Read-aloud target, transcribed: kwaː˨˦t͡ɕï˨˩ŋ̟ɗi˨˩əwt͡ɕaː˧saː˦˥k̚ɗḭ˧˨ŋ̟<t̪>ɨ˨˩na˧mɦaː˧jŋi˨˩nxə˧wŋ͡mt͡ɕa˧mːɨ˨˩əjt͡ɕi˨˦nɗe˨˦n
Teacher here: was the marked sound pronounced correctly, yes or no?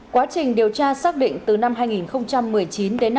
yes